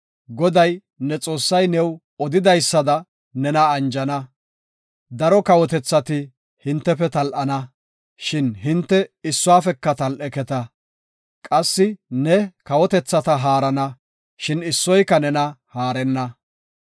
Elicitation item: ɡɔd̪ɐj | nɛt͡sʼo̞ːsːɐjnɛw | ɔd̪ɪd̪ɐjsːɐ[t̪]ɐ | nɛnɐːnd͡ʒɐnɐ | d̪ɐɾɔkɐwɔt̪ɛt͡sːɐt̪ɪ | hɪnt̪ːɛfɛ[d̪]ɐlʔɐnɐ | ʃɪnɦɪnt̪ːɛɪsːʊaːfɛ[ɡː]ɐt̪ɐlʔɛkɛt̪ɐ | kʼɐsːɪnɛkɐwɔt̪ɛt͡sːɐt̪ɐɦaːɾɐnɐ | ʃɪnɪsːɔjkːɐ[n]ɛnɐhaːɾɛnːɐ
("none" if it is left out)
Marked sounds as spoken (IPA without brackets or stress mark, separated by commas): d̪, t̪, kː, n